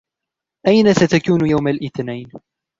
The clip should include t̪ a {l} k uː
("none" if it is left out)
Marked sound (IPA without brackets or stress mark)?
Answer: none